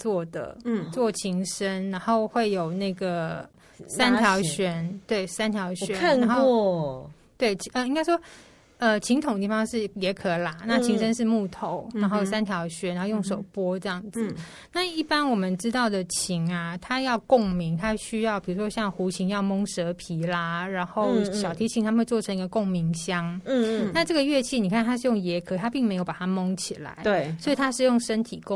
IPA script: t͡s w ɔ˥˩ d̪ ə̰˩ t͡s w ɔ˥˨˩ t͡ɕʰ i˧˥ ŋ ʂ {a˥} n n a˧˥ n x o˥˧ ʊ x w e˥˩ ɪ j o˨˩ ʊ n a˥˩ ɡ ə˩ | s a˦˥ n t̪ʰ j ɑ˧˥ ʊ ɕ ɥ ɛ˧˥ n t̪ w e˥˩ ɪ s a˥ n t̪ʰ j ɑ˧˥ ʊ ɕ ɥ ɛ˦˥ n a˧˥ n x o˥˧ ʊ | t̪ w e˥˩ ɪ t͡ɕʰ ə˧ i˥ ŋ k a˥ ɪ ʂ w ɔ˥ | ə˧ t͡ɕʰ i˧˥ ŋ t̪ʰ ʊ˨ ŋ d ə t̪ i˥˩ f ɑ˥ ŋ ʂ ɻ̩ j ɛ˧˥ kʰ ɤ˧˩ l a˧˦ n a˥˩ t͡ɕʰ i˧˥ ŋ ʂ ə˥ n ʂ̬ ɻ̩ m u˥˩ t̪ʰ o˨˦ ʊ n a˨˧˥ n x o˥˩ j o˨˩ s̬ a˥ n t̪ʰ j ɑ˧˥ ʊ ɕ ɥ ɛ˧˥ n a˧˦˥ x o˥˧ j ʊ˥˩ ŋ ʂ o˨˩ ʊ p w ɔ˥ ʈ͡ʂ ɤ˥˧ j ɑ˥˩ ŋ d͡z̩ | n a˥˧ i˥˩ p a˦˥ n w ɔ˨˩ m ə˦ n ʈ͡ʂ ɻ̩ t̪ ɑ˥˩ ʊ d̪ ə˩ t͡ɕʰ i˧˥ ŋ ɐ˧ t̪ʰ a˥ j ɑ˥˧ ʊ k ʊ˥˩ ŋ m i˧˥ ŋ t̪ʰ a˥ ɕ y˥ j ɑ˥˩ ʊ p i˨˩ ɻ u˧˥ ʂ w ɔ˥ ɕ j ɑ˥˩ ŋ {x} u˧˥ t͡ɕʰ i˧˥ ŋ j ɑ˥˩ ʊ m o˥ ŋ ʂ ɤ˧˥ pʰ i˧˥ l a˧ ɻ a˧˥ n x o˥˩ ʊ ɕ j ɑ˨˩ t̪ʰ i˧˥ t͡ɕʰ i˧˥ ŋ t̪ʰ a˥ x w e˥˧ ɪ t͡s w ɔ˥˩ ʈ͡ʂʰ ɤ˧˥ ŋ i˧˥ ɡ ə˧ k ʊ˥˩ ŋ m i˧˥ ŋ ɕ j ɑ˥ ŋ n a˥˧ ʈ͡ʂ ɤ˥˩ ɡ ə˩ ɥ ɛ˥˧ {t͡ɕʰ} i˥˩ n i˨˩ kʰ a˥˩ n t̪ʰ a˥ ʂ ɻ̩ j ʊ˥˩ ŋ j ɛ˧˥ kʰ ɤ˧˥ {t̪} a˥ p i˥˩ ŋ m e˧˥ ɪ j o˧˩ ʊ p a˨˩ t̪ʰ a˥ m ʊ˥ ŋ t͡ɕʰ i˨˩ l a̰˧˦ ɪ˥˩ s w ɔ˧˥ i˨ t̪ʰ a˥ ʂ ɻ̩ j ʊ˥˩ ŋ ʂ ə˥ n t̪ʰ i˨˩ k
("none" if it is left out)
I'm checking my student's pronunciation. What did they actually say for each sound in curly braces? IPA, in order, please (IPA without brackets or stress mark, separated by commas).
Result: ə˥, x, t͡ɕʰ, t̪ʰ